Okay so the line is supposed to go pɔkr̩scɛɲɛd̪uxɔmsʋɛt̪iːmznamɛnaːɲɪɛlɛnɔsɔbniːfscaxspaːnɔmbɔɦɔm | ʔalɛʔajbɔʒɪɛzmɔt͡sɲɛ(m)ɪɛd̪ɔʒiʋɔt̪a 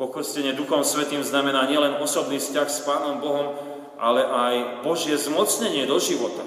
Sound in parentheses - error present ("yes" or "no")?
yes